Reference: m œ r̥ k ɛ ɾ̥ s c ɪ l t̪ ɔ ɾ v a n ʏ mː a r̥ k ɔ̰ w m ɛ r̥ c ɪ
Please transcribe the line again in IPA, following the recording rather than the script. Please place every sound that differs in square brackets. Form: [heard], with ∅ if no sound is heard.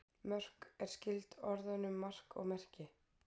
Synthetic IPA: m œ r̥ k ɛ ɾ̥ s c ɪ l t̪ ɔ ɾ [ð] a n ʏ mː a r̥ k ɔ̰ [ɣ] m ɛ r̥ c ɪ